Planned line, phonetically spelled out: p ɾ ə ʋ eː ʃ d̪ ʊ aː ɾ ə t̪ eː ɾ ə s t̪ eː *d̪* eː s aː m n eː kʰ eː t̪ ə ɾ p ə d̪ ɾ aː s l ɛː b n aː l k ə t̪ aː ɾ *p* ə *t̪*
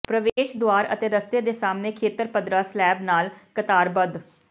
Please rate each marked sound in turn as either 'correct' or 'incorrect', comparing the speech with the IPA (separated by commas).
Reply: correct, incorrect, incorrect